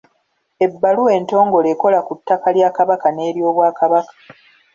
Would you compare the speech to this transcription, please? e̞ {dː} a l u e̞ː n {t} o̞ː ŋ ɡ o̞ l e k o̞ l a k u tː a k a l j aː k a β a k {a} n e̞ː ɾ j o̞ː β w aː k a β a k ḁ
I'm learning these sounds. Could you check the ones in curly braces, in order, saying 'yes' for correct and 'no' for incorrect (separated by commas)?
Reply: no, yes, yes